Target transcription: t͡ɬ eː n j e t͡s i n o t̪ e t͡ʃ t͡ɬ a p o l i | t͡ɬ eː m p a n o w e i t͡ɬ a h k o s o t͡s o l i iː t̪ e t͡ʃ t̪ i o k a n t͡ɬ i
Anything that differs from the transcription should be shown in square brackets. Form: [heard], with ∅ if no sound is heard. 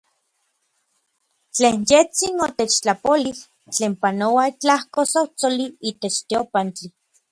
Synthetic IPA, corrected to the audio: t͡ɬ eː n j e t͡s i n o t̪ e t͡ʃ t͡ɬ a p o l i | t͡ɬ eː m p a n o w [a] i t͡ɬ a h k o s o t͡s o l i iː t̪ e t͡ʃ t̪ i o [p] a n t͡ɬ i